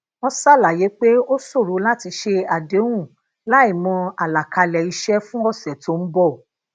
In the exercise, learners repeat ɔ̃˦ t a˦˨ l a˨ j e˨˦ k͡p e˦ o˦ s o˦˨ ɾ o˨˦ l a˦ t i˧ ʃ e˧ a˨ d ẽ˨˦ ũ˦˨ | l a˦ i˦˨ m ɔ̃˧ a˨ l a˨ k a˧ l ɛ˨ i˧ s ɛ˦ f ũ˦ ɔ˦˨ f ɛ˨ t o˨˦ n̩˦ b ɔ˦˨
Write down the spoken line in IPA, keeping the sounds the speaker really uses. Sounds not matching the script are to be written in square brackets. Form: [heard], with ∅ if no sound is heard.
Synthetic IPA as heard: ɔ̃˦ [s] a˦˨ l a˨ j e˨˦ k͡p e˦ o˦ s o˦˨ ɾ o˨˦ l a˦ t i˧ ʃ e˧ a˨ d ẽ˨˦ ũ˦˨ | l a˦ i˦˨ m ɔ̃˧ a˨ l a˨ k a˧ l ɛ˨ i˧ [ʃ] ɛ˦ f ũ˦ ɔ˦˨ [s] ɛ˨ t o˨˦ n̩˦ b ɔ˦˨